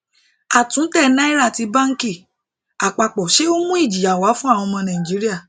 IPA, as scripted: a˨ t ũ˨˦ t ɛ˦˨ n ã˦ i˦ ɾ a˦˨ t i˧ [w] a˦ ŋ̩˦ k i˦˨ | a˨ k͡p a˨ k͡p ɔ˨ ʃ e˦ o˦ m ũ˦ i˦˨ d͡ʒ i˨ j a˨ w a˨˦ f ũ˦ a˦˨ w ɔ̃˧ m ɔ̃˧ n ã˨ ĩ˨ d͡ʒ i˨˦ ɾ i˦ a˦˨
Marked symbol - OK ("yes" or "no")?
no